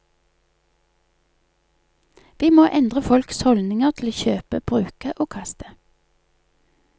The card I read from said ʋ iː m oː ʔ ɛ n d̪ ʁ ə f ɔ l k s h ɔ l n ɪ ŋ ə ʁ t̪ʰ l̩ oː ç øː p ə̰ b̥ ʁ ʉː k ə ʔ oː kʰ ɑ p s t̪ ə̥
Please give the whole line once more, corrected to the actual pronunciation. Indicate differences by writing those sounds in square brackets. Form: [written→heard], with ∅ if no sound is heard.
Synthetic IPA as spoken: ʋ iː m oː ʔ ɛ n d̪ ʁ ə f ɔ l k s h ɔ l n ɪ ŋ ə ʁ t̪ʰ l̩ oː ç øː p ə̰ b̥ ʁ ʉː k ə ʔ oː kʰ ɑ [p→∅] s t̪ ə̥